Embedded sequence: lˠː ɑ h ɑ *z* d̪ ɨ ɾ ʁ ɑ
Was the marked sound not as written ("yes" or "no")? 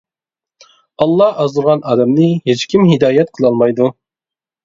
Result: no